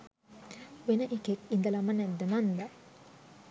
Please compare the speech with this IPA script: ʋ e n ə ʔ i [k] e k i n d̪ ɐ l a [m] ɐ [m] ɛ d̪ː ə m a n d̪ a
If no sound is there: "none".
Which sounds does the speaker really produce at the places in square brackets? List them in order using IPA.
k, m, n

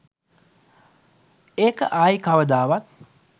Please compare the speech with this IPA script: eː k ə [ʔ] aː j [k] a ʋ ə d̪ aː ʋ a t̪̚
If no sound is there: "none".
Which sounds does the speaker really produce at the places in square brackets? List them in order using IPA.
ʔ, k

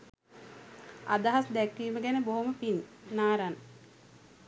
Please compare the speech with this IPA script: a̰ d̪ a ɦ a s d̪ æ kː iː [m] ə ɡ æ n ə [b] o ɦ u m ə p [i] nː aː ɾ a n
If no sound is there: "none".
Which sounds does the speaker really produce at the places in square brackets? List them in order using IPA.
m, b, i

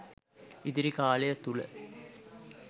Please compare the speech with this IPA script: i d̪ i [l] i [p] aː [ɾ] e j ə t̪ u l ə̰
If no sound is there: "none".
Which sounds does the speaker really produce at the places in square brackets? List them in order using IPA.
ɾ, k, l

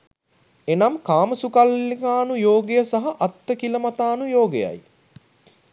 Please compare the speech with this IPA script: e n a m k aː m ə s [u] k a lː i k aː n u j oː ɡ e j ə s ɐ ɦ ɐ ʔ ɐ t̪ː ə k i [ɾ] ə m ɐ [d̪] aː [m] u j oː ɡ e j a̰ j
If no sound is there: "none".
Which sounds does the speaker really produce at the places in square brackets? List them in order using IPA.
u, l, t̪, n

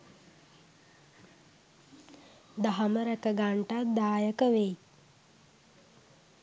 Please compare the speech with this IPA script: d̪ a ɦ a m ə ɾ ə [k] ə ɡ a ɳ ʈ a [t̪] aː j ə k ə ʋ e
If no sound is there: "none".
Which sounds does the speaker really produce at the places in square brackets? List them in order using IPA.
k, d̪

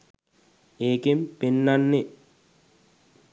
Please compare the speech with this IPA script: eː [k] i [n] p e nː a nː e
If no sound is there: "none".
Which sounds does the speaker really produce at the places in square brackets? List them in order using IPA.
k, m

